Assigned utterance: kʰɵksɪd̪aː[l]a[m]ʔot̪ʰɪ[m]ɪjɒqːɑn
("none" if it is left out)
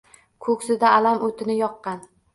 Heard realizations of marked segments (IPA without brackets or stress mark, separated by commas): l, m, n